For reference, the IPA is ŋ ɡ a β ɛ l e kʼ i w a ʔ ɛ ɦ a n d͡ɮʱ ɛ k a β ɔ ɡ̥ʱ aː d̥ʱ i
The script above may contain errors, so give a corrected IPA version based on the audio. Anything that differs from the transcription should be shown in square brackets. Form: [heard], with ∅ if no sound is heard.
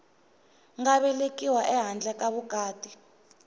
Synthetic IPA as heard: ŋ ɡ a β ɛ l e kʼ i w a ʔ ɛ ɦ a n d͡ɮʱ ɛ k a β [u] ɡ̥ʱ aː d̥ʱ i